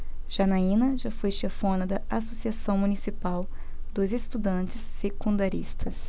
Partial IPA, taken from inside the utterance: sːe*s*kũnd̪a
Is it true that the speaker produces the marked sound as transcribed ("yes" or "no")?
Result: no